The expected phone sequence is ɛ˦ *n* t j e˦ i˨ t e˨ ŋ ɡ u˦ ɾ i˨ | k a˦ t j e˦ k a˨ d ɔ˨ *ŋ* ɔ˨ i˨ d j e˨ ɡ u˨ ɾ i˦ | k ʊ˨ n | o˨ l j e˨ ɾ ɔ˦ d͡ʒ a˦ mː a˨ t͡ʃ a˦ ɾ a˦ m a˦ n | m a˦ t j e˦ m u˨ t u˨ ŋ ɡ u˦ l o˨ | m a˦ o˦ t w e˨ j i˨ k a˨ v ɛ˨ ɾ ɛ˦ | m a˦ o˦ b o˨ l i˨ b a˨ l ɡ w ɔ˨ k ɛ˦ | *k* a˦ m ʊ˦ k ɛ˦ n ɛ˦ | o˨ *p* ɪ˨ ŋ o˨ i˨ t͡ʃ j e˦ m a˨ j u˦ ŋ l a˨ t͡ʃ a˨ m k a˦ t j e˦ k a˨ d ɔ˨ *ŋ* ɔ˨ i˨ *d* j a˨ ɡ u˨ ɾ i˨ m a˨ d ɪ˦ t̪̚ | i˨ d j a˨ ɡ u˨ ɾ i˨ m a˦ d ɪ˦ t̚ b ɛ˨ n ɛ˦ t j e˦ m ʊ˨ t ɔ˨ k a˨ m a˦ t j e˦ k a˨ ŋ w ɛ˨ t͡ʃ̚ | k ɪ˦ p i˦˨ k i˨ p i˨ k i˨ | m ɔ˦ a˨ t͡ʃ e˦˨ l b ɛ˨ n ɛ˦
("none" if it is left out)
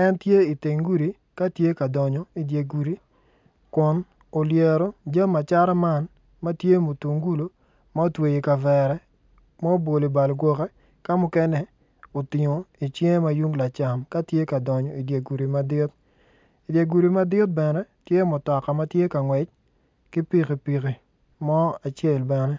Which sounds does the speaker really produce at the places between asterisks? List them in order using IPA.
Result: n, ɲ, k, t, ɲ, d

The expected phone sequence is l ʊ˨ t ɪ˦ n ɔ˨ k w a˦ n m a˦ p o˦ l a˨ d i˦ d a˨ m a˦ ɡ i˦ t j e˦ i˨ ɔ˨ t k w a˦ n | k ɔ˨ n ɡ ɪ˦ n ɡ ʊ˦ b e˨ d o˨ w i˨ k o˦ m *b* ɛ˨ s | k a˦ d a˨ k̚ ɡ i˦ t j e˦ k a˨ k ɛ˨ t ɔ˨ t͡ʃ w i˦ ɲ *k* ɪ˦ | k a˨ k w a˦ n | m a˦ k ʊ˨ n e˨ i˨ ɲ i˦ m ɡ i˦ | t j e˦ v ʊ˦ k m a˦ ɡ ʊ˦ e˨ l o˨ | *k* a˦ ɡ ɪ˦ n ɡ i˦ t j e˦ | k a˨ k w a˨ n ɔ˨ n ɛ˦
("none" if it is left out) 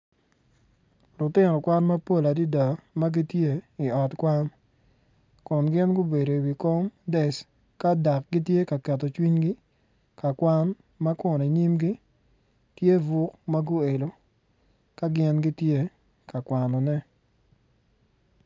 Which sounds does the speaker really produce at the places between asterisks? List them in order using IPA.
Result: d, ɡ, k

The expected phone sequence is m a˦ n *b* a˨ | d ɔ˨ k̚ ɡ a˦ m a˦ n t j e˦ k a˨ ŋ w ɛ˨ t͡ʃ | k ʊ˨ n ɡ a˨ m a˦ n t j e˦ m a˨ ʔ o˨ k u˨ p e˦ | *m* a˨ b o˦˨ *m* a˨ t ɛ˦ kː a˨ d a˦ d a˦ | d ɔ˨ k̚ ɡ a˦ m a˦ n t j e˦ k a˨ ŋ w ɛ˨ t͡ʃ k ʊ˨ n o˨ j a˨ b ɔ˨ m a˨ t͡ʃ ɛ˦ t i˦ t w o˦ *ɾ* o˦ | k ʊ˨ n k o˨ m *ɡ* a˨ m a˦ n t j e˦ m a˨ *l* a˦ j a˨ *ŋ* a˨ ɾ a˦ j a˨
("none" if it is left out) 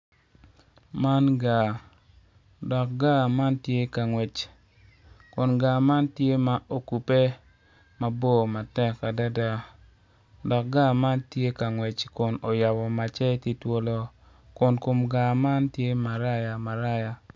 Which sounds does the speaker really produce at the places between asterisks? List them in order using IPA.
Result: ɡ, m, m, l, ɡ, ɾ, m

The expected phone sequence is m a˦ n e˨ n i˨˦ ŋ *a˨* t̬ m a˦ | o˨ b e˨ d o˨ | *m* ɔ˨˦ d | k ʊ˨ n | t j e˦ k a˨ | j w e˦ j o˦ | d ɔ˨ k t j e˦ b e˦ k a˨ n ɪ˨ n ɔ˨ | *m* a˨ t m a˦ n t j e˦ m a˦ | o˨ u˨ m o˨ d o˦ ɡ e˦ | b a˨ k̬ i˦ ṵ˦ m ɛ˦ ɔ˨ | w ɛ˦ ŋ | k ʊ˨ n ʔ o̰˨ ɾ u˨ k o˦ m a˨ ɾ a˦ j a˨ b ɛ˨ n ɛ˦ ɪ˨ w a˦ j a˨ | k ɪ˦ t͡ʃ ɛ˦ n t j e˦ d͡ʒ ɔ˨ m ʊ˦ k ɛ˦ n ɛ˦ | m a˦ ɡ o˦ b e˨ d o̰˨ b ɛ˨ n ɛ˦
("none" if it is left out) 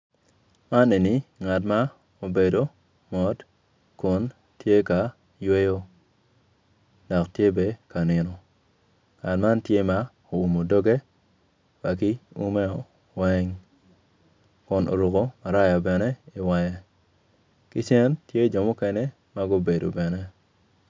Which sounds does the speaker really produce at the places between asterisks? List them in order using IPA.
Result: a˨, m, ŋ

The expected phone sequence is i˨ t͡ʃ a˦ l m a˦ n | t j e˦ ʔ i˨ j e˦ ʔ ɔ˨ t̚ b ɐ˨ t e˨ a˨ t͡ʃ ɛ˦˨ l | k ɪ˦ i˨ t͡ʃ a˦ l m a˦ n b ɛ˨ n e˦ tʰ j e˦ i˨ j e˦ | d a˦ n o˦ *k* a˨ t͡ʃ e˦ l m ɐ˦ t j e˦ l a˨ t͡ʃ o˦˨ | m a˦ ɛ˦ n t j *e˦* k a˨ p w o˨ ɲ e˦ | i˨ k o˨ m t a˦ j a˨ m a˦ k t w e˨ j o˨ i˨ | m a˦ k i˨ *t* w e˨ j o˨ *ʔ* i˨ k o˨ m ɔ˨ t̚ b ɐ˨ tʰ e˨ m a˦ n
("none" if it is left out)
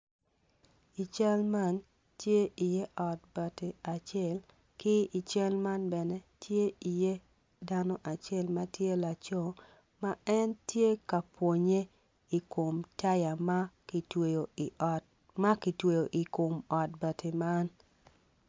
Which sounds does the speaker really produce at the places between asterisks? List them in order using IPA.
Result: ʔ, e˦, t, ʔ

